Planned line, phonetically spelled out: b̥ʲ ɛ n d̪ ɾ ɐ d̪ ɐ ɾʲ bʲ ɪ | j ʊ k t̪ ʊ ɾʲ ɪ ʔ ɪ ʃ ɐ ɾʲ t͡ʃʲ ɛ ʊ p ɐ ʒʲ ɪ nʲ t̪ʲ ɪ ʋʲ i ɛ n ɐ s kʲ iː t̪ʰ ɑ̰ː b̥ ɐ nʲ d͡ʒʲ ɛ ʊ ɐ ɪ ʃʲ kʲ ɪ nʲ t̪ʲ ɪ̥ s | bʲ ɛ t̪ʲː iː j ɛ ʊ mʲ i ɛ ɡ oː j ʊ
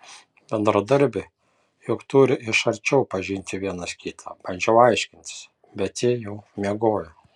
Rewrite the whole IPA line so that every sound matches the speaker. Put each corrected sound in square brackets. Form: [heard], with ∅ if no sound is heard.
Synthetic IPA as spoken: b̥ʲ ɛ n d̪ ɾ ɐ d̪ ɐ ɾʲ bʲ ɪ | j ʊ k t̪ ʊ ɾʲ ɪ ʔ ɪ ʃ ɐ ɾʲ t͡ʃʲ ɛ ʊ p ɐ ʒʲ ɪ nʲ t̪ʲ ɪ ʋʲ i ɛ n ɐ s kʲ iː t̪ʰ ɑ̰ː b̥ ɐ nʲ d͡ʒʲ ɛ ʊ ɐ ɪ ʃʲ kʲ ɪ nʲ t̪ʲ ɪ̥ s | bʲ ɛ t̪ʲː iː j ɛ ʊ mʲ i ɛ ɡ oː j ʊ